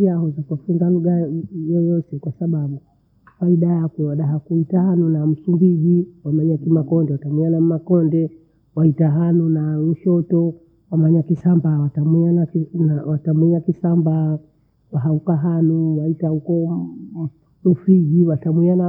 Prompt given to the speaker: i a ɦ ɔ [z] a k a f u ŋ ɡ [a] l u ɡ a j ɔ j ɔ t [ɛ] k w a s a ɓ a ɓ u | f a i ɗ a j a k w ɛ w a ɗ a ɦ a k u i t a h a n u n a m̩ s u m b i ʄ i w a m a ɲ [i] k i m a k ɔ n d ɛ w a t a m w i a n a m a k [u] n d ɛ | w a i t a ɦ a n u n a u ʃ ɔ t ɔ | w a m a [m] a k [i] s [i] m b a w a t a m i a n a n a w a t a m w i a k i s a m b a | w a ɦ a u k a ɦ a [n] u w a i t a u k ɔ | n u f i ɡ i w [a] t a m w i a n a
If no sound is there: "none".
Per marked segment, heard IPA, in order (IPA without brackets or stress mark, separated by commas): z, a, ɛ, a, ɔ, ɲ, i, a, n, a